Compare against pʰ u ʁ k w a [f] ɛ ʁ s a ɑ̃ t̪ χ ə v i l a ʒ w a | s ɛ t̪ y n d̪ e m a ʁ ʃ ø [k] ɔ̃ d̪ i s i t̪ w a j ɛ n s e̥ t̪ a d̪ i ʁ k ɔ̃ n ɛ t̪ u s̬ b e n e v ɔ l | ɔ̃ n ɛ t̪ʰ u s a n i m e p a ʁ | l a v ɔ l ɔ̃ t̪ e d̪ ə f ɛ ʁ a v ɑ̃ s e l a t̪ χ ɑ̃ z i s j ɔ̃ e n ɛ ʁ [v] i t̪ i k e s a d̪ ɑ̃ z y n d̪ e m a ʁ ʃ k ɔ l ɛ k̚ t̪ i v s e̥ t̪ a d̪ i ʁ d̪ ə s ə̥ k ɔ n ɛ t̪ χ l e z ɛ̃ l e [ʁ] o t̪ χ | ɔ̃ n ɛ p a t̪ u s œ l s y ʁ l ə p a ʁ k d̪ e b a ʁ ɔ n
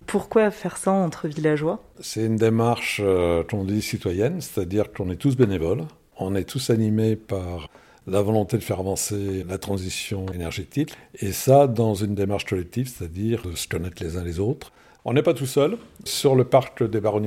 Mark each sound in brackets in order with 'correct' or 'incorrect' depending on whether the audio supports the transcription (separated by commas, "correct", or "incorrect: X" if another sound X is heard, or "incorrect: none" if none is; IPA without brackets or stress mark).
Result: correct, correct, incorrect: ʒ, incorrect: z